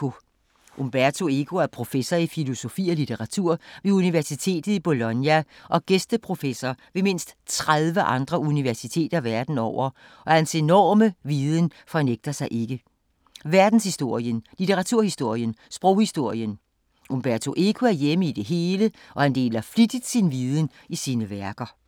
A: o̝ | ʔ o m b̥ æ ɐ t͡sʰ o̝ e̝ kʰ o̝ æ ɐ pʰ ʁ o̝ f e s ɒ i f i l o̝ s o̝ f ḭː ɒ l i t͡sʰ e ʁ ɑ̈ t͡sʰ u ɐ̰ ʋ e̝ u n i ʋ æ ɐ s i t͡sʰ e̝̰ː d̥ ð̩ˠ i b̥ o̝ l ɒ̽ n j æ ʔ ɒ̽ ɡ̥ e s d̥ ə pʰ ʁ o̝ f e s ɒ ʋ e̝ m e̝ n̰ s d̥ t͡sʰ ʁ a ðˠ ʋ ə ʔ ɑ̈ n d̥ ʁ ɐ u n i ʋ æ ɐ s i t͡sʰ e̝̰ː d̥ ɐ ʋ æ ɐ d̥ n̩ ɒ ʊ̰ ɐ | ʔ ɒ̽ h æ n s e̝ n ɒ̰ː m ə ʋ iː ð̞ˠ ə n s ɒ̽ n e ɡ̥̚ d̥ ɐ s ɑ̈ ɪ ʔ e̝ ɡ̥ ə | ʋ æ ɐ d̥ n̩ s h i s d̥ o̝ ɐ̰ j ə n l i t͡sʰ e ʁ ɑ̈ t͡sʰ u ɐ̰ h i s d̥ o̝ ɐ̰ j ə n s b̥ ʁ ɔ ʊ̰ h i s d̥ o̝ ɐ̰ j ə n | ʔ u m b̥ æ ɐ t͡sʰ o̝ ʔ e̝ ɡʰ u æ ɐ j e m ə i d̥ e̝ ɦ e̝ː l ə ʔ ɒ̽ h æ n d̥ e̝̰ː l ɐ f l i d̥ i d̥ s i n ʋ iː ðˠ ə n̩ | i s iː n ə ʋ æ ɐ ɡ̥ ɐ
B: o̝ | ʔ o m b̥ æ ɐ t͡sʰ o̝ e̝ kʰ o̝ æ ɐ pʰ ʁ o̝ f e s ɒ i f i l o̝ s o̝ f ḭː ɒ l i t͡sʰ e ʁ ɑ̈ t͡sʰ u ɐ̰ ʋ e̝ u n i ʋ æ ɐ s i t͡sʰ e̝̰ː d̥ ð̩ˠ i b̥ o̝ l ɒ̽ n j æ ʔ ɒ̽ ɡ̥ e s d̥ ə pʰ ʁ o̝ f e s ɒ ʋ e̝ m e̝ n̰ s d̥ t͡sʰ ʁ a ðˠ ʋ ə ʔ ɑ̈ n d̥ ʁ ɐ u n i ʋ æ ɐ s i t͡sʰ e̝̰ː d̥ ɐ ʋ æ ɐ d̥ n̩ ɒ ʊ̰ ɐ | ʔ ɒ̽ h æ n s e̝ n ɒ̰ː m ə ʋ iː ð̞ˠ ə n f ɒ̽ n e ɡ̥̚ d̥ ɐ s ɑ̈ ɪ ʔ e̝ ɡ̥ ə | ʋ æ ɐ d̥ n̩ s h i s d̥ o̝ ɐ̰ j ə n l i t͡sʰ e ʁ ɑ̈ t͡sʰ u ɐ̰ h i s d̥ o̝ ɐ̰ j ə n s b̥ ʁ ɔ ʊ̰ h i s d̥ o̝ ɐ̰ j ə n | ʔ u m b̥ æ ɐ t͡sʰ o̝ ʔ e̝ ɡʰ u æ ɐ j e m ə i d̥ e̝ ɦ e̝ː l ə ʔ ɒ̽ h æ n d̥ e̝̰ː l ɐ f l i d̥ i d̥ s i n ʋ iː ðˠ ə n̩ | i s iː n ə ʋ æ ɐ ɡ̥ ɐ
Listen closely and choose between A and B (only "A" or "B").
B